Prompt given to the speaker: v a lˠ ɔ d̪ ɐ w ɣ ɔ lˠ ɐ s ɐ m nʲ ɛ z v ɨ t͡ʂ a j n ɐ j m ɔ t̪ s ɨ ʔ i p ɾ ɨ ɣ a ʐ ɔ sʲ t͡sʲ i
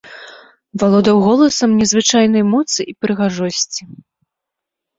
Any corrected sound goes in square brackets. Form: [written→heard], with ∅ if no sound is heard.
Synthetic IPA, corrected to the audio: v a lˠ ɔ d̪ ɐ w ɣ ɔ lˠ ɐ s ɐ m nʲ ɛ z v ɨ t͡ʂ a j n ɐ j m ɔ t̪ s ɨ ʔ i p ɾ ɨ ɣ a ʐ ɔ sʲ t͡sʲ i